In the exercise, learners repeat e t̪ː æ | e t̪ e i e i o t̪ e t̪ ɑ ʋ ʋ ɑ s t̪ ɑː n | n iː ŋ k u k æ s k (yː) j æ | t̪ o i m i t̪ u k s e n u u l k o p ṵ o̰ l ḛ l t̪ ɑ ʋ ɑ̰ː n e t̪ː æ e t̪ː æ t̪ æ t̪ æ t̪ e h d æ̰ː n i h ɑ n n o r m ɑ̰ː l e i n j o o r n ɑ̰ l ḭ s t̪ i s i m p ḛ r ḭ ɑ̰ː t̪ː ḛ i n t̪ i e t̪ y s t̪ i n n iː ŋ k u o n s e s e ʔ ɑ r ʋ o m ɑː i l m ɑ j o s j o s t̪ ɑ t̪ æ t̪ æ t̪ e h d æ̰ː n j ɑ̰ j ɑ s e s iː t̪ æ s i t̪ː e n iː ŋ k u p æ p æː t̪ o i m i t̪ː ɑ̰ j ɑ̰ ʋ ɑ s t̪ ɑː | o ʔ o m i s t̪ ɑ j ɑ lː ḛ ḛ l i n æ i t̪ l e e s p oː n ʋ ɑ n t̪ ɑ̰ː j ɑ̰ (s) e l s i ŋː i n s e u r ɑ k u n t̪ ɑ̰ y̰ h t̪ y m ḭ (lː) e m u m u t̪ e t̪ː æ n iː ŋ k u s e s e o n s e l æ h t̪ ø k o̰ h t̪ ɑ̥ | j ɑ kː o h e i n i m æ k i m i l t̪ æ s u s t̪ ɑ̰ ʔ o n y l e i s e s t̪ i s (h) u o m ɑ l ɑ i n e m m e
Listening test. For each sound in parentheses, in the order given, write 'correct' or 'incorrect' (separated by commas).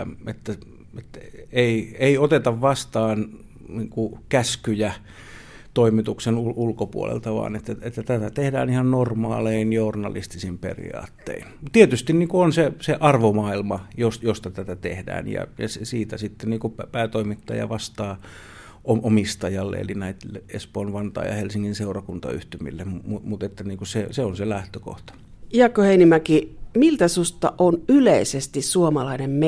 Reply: incorrect, incorrect, correct, incorrect